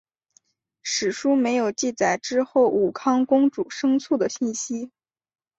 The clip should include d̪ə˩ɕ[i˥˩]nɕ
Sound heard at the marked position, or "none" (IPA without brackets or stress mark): i˥˩